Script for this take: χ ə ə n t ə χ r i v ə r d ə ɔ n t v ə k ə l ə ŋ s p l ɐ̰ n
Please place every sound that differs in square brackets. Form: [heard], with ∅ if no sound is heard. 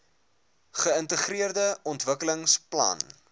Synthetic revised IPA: χ ə ə n t ə χ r i [∅] ə r d ə ɔ n t v ə k ə l ə ŋ s p l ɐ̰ n